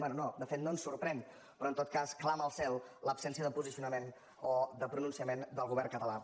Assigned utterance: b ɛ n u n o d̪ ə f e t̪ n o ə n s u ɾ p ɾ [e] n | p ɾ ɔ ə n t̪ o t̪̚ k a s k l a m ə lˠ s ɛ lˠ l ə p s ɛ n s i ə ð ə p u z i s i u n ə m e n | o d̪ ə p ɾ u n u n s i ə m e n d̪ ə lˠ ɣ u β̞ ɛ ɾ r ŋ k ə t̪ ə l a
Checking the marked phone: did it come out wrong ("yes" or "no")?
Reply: yes